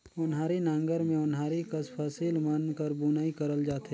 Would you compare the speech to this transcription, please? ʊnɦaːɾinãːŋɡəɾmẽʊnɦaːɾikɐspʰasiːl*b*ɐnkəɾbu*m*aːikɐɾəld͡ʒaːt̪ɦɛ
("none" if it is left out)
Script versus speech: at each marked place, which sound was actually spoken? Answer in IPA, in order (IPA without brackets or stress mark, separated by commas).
m, n